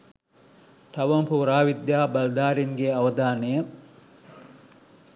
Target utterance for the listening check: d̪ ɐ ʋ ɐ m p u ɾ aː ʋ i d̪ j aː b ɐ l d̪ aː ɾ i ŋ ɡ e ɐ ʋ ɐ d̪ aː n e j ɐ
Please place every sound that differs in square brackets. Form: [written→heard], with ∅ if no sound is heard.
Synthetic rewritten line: [d̪→t̪] ɐ ʋ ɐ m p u ɾ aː ʋ i d̪ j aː b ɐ l d̪ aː ɾ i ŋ ɡ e ɐ ʋ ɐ d̪ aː n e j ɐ

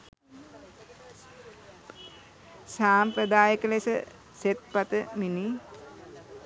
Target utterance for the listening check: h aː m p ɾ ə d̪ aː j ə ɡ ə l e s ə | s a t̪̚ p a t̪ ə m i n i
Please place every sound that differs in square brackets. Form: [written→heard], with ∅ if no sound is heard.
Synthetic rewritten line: [h→s] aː m p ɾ ə d̪ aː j ə [ɡ→k] ə l e s ə | s [a→e] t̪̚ p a t̪ ə m i n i

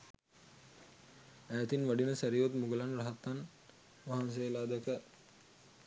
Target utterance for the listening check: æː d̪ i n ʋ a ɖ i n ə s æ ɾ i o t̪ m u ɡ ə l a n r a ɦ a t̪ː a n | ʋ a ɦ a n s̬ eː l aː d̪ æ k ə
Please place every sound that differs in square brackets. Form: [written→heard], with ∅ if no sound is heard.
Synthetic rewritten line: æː [d̪→t̪] i n ʋ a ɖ i n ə s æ ɾ i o t̪ m u ɡ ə l a n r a ɦ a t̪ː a n | ʋ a ɦ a n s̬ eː l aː d̪ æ k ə

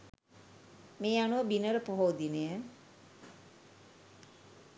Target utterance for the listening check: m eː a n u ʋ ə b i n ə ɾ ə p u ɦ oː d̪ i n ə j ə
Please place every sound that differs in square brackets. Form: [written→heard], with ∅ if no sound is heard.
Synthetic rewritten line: m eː a n u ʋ ə b i n ə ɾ ə p [u→o] ɦ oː d̪ i n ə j ə

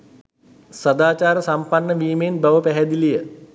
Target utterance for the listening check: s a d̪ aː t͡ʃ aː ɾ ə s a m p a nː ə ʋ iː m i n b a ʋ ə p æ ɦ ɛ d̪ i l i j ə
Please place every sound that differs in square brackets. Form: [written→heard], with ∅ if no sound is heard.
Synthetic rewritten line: s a d̪ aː t͡ʃ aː ɾ ə s a m p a nː ə ʋ iː m [i→e] n b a ʋ ə p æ ɦ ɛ d̪ i l i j ə

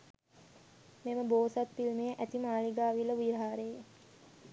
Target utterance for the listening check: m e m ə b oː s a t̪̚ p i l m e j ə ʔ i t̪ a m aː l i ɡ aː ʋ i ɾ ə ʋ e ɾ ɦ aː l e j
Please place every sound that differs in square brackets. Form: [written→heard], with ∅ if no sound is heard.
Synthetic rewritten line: m e m ə b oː s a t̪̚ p i l m e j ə ʔ [i→æ] t̪ [a→i] m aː l i ɡ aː ʋ i [ɾ→l] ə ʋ [e→i] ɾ ɦ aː [l→ɾ] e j

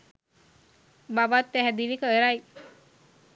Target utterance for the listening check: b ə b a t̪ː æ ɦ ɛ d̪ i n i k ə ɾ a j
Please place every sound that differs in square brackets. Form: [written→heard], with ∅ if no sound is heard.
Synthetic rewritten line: b [ə→a] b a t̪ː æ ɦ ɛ d̪ i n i k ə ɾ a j

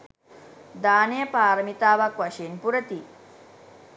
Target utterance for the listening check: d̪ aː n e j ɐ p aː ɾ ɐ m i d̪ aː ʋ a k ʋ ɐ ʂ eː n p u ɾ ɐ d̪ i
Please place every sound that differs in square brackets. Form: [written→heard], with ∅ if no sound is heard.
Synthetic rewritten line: d̪ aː n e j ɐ p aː ɾ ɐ m i [d̪→t̪] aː ʋ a k ʋ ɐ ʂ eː n p u ɾ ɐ [d̪→t̪] i

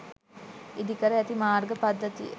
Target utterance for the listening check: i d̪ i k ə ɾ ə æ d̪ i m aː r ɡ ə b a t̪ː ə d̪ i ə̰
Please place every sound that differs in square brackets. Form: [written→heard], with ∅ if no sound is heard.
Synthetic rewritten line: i d̪ i k ə ɾ ə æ [d̪→t̪] i m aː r ɡ ə [b→p] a [t̪ː→d̪ː] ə [d̪→t̪] i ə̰

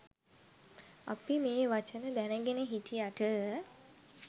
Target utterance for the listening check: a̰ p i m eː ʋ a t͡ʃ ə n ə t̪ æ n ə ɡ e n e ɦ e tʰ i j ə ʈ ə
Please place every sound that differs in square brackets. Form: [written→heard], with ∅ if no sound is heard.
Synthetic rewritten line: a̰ p i m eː ʋ a t͡ʃ ə n ə [t̪→d̪] æ n ə ɡ e n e ɦ [e→i] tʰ i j [ə→a] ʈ ə

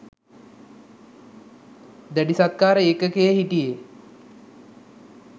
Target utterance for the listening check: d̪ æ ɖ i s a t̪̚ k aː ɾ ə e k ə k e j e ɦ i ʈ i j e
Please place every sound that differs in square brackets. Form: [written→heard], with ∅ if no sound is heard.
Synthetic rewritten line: d̪ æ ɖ i s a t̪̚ k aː ɾ ə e k ə k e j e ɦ i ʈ i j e

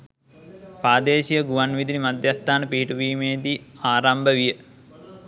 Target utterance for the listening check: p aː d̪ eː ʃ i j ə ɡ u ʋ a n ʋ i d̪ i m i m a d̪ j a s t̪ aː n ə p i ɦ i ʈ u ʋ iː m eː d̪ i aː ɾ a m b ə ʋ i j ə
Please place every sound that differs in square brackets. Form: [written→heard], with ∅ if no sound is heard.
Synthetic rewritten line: p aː d̪ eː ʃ i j ə ɡ u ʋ a n ʋ i d̪ i [m→n] i m a d̪ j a s t̪ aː n ə p i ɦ i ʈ u ʋ iː m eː d̪ i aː ɾ a m b ə ʋ i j ə

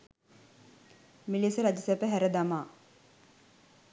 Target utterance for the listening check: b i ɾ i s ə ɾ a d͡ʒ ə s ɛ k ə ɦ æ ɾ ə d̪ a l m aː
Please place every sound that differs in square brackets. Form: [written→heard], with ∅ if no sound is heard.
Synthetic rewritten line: [b→m] i [ɾ→l] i s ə ɾ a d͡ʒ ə s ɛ [k→p] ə ɦ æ ɾ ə d̪ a [l→∅] m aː

